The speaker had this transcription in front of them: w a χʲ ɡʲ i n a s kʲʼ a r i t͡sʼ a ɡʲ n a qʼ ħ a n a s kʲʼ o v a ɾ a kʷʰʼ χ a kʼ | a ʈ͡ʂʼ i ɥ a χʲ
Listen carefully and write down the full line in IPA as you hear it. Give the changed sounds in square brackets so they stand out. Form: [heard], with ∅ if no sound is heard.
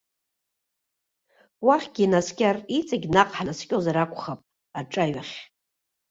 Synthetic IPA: w a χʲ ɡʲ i n a s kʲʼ a r i t͡sʼ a ɡʲ n a qʼ ħ a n a s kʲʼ o [z] a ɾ a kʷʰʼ χ a [pʼ] | a ʈ͡ʂʼ [a] ɥ a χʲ